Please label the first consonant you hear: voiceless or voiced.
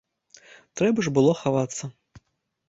voiceless